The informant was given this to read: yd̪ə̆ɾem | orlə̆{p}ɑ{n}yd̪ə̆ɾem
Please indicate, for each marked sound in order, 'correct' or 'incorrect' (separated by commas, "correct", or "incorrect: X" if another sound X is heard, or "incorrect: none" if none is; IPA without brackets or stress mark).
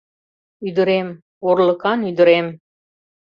incorrect: k, correct